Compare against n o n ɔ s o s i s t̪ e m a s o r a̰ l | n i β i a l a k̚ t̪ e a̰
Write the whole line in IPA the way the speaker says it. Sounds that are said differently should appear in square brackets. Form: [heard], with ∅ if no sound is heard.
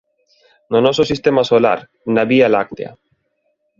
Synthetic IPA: n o n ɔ s o s i s t̪ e m a s o [l] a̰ [ɾ] | n [a] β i a l a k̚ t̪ e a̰